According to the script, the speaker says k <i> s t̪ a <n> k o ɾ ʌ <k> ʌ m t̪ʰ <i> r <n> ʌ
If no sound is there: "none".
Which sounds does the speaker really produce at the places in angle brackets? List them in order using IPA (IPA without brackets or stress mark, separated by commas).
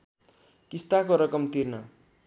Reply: i, none, k, i, n